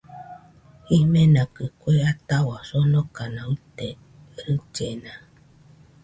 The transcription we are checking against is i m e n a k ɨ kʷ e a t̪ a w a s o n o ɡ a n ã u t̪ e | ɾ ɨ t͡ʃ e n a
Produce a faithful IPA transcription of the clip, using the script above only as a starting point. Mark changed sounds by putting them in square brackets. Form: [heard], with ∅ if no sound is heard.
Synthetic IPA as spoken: i m e n a k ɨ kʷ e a t̪ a w a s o n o [k] a n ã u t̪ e | ɾ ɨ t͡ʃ e n a